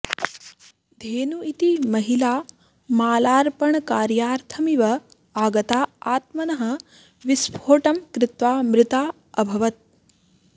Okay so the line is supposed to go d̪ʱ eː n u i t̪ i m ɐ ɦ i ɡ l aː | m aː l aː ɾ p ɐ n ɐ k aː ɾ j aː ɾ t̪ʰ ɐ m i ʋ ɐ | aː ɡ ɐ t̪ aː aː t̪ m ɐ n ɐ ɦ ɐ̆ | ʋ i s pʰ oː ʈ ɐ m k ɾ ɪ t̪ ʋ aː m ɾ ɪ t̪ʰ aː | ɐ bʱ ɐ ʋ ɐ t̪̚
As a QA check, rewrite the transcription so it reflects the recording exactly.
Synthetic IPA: d̪ʱ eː n u i t̪ i m ɐ ɦ i l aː | m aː l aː ɾ p ɐ ɳ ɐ k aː ɾ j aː ɾ t̪ʰ ɐ m i ʋ ɐ | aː ɡ ɐ t̪ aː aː t̪ m ɐ n ɐ ɦ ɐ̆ | ʋ i s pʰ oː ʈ ɐ m k ɾ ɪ t̪ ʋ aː m ɾ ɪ t̪ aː | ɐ bʱ ɐ ʋ ɐ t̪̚

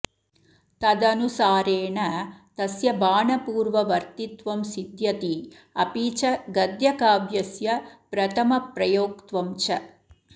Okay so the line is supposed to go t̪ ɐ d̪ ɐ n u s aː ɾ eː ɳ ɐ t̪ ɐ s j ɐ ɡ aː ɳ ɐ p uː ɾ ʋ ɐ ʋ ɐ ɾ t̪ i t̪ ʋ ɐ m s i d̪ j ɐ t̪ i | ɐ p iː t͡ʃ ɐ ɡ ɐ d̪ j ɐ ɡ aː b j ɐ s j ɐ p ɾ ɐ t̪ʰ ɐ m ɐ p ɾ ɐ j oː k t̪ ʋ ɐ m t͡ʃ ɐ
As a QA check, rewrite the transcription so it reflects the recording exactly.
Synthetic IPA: t̪ ɐ d̪ ɐ n u s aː ɾ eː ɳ ɐ t̪ ɐ s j ɐ b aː ɳ ɐ p uː ɾ ʋ ɐ ʋ ɐ ɾ t̪ i t̪ ʋ ɐ m s i d̪ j ɐ t̪ i | ɐ p iː t͡ʃ ɐ ɡ ɐ d̪ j ɐ k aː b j ɐ s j ɐ p ɾ ɐ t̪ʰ ɐ m ɐ p ɾ ɐ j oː k t̪ ʋ ɐ m t͡ʃ ɐ

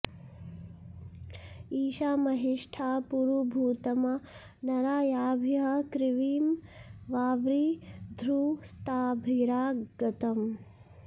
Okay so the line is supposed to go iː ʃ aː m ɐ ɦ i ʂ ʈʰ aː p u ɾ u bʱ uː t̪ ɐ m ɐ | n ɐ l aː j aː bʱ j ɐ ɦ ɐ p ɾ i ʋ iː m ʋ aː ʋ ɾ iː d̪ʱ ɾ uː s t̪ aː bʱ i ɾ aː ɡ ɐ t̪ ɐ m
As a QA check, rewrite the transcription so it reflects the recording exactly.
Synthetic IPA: iː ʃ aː m ɐ ɦ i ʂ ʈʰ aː p u ɾ u bʱ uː t̪ ɐ m ɐ | n ɐ ɾ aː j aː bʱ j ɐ ɦ ɐ k ɾ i ʋ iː m ʋ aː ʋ ɾ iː d̪ʱ ɾ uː s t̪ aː bʱ i ɾ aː ɡ ɐ t̪ ɐ m

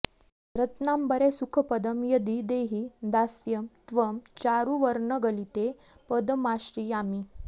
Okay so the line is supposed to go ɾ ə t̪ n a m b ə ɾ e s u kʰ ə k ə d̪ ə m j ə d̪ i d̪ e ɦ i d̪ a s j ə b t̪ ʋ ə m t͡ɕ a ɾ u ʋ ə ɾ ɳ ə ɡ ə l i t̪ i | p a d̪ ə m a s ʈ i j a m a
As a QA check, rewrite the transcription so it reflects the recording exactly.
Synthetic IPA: ɾ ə t̪ n a m b ə ɾ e s u kʰ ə p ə d̪ ə m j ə d̪ i d̪ e ɦ i d̪ a s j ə m t̪ ʋ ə m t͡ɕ a ɾ u ʋ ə ɾ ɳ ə ɡ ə l i t̪ e | p ə d̪ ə m a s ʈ i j a m i

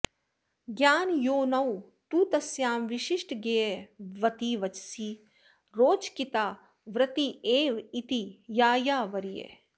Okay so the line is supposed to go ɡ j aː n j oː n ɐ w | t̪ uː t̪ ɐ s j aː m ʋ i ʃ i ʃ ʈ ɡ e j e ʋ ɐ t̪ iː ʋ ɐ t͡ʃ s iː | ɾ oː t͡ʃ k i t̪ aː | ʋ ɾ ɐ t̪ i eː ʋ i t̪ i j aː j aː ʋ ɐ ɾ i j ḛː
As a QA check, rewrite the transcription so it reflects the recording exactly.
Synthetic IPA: ɡ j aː n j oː n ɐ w | t̪ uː t̪ ɐ s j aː m ʋ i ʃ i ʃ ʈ ɡ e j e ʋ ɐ t̪ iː ʋ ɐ t͡ʃ s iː | ɾ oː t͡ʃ k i t̪ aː | ʋ ɾ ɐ t̪ i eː ʋ i t̪ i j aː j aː ʋ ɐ ɾ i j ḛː

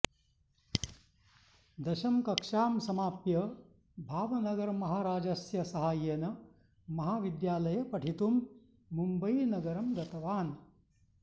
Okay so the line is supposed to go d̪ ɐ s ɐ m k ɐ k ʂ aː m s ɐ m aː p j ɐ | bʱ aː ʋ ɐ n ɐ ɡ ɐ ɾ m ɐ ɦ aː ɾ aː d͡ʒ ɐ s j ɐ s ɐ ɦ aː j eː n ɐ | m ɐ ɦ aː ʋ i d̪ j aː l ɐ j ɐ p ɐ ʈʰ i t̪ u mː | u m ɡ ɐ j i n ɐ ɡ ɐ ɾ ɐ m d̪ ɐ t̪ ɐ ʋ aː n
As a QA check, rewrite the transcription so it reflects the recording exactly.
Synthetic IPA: d̪ ɐ ʃ ɐ m k ɐ k ʂ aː m s ɐ m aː p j ɐ | bʱ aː ʋ ɐ n ɐ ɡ ɐ ɾ m ɐ ɦ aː ɾ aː d͡ʒ ɐ s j ɐ s ɐ ɦ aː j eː n ɐ | m ɐ ɦ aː ʋ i d̪ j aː l ɐ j ɐ p ɐ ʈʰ i t̪ u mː | u m b ɐ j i n ɐ ɡ ɐ ɾ ɐ m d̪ ɐ t̪ ɐ ʋ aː n

